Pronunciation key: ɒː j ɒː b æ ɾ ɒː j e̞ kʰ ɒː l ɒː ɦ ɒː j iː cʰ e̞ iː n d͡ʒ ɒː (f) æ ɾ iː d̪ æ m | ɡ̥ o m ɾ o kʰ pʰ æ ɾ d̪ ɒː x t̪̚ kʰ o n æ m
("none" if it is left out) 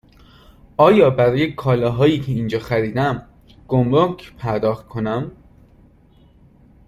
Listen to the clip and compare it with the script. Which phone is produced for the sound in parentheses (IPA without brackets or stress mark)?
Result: x